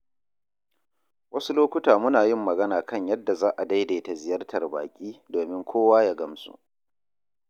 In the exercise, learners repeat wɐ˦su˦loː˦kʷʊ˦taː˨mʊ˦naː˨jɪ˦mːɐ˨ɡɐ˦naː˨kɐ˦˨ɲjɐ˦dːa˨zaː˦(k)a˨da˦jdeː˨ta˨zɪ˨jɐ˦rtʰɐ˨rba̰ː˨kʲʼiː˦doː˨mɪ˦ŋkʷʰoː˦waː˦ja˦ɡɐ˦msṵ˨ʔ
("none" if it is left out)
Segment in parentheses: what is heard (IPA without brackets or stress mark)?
ʔ